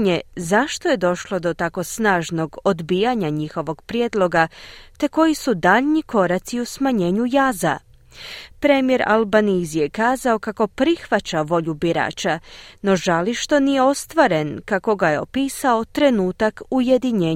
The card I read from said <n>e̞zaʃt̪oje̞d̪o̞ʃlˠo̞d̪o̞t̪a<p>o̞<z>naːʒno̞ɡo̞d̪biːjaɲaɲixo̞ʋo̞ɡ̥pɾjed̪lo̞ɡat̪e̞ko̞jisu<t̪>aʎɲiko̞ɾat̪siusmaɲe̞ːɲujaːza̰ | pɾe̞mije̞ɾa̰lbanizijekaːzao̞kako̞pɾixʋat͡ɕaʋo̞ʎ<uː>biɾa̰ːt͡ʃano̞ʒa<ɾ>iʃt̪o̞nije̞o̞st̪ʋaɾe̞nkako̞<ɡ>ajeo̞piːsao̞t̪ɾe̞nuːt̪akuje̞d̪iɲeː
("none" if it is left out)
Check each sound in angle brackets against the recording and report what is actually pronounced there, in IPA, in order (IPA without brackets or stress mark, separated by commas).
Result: ɲ, k, s, d̪, u, l, ɡ